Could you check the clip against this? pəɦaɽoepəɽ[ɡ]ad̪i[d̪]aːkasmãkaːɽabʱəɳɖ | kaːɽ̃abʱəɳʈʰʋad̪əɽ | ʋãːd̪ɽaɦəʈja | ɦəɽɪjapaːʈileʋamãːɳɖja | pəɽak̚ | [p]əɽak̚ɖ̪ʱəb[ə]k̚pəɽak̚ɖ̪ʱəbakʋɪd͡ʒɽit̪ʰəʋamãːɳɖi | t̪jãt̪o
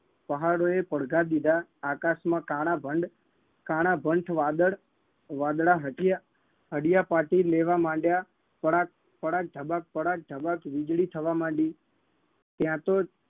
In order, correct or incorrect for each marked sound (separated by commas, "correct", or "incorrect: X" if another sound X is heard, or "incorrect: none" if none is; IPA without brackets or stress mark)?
correct, correct, correct, incorrect: a